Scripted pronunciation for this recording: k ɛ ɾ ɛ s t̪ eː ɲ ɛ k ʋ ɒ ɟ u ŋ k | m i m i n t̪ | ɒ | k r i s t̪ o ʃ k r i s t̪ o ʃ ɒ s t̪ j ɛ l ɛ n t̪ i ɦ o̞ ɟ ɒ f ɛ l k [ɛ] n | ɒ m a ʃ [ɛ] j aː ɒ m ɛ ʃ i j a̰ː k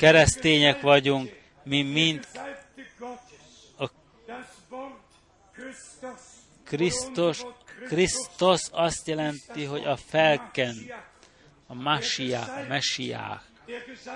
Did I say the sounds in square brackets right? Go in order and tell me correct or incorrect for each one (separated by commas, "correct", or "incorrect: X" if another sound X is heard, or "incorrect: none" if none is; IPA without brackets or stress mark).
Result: correct, incorrect: i